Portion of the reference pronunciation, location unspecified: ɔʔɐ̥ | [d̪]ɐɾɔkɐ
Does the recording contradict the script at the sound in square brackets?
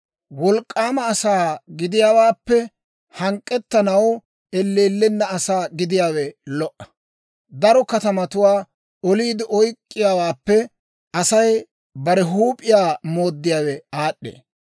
no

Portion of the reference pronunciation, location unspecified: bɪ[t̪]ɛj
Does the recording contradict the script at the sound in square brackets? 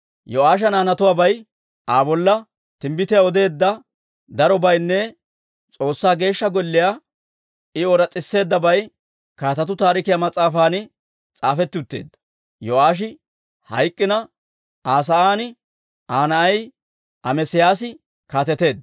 no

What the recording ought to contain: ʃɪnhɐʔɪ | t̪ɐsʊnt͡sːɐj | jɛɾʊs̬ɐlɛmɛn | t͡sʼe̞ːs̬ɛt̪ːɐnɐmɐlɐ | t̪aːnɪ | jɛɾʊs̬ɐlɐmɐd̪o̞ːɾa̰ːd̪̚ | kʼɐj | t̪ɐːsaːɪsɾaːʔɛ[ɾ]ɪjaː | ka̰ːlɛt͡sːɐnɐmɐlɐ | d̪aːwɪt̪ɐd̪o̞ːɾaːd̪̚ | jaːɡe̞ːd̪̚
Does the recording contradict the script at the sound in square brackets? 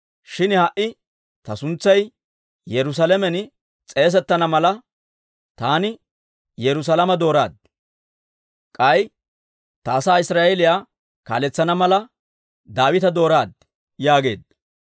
yes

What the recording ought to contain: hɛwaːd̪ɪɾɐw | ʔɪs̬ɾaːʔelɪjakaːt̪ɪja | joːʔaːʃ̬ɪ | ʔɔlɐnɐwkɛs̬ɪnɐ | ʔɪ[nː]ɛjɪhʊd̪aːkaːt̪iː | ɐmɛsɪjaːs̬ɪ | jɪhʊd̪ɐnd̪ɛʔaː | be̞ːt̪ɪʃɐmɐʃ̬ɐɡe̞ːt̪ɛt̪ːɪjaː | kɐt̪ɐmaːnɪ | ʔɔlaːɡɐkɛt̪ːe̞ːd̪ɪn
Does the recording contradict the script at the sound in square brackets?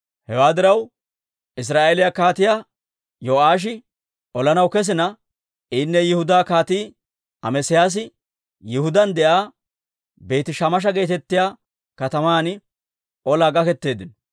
no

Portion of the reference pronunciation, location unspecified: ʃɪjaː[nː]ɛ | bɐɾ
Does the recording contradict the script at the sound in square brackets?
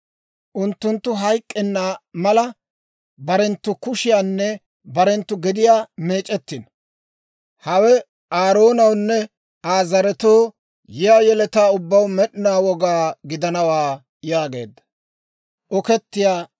no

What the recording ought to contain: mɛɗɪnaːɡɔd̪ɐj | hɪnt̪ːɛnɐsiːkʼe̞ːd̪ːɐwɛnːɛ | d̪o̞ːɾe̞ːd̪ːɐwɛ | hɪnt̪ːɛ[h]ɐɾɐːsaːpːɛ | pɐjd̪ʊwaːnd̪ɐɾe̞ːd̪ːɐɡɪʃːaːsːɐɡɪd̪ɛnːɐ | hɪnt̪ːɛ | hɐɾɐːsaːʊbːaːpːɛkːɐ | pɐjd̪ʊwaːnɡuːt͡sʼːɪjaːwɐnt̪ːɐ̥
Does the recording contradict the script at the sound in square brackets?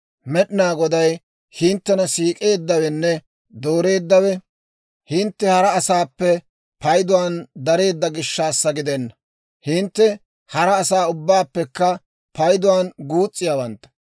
no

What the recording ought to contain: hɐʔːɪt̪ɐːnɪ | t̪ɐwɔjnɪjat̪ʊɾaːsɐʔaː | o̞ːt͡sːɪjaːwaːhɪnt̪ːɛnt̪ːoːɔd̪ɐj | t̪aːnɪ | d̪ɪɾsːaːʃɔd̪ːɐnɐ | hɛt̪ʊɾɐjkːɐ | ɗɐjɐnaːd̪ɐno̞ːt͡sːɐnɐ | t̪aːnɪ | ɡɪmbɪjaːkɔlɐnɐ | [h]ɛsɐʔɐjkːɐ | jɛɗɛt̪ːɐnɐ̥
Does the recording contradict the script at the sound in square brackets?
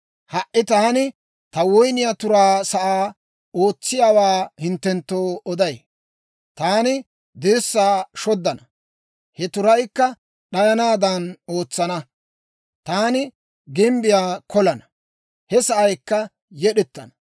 no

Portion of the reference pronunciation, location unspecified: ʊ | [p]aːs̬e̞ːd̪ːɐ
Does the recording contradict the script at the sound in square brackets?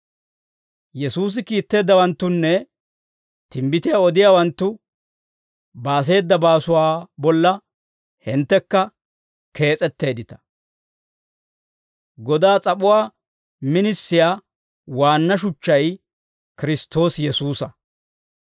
yes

